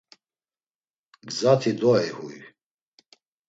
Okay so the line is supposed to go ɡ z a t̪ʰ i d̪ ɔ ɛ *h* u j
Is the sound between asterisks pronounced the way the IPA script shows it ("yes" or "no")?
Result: yes